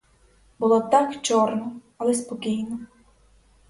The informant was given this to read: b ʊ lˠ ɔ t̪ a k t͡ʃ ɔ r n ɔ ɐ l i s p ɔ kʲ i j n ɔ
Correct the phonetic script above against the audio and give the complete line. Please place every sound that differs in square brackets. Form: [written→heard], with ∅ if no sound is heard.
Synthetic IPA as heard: b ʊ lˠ ɔ t̪ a k t͡ʃ ɔ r n ɔ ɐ l [i→ɛ] s p ɔ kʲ i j n ɔ